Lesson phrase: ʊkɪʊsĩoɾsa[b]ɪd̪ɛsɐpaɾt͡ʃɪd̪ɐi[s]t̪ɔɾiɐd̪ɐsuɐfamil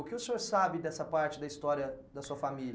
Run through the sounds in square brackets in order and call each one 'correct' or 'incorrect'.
correct, correct

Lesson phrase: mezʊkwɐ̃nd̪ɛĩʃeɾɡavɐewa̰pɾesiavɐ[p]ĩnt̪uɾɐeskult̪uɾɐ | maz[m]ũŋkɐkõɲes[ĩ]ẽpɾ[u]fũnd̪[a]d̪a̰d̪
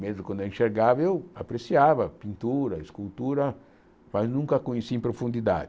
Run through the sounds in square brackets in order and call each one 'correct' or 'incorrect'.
correct, incorrect, incorrect, incorrect, incorrect

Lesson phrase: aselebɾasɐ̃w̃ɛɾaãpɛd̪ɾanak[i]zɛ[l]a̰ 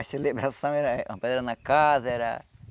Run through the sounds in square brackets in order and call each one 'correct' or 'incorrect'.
incorrect, incorrect

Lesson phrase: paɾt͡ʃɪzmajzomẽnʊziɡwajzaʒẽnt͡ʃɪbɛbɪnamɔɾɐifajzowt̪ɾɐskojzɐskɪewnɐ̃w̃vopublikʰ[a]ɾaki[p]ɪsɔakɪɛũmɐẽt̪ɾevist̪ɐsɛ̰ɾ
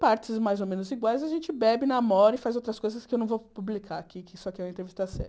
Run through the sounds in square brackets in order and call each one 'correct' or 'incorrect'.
correct, incorrect

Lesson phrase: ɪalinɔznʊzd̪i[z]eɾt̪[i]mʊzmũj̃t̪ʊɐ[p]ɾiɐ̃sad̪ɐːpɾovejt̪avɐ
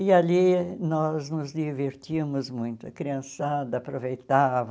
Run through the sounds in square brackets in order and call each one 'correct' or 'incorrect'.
incorrect, correct, incorrect

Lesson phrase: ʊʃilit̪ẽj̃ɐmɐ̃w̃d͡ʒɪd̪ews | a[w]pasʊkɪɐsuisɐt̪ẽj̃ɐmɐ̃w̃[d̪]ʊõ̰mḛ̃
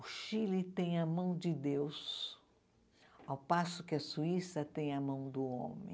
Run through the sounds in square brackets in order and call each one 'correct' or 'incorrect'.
correct, correct

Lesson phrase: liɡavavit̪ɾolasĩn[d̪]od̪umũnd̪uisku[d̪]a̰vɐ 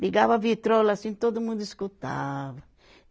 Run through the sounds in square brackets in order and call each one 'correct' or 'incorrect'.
incorrect, incorrect

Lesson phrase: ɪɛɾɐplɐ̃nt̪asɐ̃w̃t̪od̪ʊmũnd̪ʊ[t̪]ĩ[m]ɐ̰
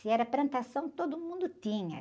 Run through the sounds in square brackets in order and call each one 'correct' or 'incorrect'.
correct, incorrect

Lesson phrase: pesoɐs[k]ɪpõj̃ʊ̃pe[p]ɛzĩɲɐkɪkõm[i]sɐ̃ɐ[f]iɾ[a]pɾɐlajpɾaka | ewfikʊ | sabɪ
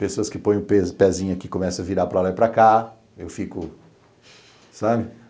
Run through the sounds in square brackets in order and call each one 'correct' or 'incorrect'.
correct, correct, incorrect, incorrect, correct

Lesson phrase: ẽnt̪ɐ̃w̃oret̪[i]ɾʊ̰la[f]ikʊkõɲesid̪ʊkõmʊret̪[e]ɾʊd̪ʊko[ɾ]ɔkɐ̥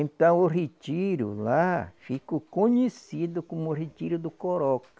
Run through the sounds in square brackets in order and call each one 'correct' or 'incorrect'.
correct, correct, incorrect, correct

